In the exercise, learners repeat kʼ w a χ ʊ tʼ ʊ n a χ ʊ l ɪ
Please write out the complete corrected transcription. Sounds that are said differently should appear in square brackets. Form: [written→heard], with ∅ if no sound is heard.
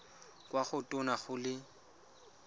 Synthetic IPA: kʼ w a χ ʊ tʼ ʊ n a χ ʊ l ɪ